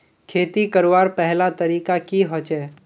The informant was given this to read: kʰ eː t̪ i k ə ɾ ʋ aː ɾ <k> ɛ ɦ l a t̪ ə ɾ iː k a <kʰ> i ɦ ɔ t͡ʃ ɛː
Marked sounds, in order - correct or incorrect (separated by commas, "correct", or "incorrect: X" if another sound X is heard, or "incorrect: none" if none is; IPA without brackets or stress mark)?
incorrect: p, incorrect: k